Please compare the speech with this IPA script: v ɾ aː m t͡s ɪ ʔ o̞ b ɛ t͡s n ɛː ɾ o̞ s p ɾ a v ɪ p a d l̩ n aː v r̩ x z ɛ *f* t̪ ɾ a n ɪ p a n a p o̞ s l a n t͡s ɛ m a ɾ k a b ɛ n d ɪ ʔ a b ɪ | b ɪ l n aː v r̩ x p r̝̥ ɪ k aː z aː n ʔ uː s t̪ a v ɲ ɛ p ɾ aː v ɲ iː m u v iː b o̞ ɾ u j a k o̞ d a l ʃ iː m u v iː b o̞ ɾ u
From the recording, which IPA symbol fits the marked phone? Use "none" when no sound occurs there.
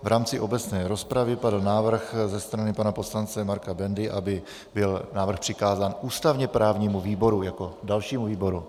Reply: s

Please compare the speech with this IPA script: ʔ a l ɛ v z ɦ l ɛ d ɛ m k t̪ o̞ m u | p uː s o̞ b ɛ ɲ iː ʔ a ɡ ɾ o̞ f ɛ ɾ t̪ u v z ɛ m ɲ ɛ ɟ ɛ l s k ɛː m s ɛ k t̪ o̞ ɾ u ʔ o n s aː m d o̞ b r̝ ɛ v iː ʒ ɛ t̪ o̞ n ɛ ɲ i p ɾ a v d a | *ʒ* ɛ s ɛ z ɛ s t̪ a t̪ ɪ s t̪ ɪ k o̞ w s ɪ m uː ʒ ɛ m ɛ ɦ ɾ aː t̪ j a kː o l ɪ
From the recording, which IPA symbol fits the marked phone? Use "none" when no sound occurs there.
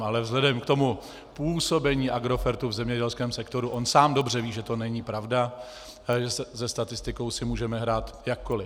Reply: ʒ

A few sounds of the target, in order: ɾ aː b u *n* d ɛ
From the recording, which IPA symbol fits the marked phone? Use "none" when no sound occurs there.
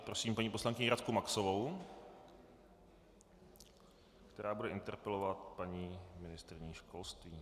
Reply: none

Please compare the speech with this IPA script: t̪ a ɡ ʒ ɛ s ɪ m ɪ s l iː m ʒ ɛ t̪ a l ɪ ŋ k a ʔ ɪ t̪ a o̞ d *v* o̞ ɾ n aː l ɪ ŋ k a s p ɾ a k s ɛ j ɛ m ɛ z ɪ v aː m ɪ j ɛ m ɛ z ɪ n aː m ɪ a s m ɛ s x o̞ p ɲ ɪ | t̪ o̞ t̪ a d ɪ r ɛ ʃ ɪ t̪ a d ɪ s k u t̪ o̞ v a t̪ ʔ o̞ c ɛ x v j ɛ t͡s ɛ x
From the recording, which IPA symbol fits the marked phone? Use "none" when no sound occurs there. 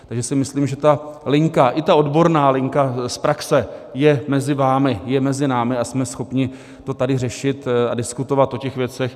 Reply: b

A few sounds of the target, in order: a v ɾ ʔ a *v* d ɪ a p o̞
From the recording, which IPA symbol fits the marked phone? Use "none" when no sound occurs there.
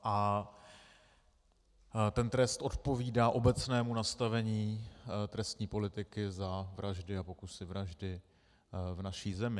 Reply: ʒ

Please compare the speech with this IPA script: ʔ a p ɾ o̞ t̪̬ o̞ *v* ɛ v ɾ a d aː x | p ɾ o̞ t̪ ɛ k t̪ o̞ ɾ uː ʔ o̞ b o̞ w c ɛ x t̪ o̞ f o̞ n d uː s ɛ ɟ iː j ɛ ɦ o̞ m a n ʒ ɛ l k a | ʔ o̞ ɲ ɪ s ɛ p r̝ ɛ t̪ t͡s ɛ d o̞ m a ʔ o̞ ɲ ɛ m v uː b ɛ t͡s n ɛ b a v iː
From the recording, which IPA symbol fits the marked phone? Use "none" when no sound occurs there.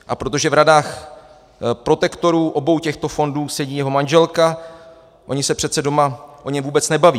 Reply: ʒ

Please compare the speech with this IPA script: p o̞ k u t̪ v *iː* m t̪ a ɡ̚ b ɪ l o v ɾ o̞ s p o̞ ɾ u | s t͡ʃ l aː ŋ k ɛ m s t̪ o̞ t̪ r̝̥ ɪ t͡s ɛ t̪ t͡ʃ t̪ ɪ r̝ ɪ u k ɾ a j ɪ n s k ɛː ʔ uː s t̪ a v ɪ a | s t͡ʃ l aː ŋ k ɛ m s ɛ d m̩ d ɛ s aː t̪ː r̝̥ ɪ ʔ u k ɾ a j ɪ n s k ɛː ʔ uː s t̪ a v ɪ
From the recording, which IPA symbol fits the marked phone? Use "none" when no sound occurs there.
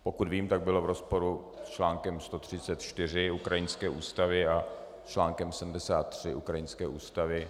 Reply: iː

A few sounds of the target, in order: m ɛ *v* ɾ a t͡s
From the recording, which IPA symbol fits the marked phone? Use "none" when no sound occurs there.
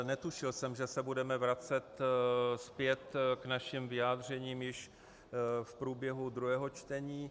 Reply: v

